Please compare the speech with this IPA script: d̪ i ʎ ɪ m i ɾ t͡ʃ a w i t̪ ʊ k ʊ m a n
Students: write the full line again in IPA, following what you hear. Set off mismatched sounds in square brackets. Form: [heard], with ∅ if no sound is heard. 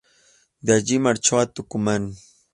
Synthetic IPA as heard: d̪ [a] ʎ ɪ m [a] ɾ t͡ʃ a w [a] t̪ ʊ k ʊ m a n